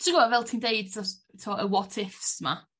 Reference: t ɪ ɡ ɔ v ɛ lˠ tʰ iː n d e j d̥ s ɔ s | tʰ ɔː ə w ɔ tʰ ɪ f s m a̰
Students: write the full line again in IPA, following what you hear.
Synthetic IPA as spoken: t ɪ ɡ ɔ v ɛ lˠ tʰ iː n d e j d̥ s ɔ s | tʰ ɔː ə w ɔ tʰ ɪ f s m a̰